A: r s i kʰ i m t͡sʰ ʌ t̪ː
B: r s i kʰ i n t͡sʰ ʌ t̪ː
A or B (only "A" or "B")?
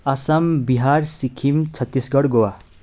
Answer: A